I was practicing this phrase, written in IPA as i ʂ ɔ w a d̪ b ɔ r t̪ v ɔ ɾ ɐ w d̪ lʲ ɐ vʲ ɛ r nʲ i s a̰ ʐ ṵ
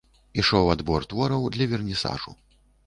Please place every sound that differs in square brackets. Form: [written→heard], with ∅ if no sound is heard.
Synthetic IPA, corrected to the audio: i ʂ ɔ w a d̪ b ɔ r t̪ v ɔ ɾ ɐ w d̪ lʲ ɐ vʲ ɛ r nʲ i s a̰ ʐ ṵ